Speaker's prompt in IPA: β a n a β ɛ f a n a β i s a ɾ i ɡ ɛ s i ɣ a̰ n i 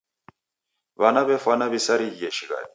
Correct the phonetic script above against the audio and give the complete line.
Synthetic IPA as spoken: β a n a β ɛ f a n a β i s a ɾ i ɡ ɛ ʃ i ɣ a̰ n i